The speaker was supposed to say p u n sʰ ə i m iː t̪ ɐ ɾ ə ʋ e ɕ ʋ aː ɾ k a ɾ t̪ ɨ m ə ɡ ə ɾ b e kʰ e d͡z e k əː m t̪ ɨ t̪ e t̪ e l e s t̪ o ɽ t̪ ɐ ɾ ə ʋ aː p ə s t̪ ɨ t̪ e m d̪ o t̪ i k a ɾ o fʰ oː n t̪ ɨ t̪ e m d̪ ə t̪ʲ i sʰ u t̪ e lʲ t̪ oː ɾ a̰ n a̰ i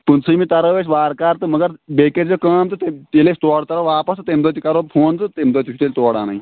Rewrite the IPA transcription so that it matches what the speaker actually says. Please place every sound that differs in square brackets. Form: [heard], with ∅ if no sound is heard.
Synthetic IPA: p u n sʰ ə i m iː t̪ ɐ ɾ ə ʋ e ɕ ʋ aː ɾ k a ɾ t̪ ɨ m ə ɡ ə ɾ b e [k] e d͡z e k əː m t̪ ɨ t̪ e t̪ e l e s t̪ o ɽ t̪ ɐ ɾ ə ʋ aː p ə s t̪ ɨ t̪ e m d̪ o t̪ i k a ɾ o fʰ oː n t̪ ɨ t̪ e m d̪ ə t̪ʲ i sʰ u t̪ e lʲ t̪ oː [ɽ] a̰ n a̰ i